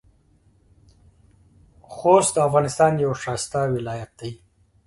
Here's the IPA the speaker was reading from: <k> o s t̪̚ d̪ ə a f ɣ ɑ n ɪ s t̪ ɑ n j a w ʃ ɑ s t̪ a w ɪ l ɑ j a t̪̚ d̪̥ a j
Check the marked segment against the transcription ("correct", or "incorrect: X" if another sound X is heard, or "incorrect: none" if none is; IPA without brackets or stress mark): incorrect: x